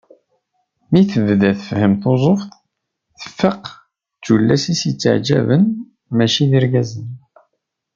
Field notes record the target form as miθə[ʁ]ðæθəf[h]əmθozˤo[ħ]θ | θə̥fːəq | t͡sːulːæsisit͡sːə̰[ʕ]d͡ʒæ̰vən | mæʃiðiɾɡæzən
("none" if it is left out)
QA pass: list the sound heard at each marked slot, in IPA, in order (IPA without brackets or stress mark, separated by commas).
v, h, f, ʕ